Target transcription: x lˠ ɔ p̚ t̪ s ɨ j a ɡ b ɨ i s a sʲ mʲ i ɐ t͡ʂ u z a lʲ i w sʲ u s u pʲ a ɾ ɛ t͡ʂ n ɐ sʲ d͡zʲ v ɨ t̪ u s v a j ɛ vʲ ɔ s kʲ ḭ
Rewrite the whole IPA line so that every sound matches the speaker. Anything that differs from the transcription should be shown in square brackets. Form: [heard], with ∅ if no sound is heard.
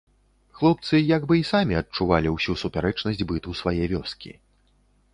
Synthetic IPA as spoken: x lˠ ɔ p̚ t̪ s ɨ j a ɡ b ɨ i s a [∅] mʲ i ɐ t͡ʂ u [v] a lʲ i w sʲ u s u pʲ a ɾ ɛ t͡ʂ n ɐ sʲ d͡zʲ [b] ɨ t̪ u s v a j ɛ vʲ ɔ s kʲ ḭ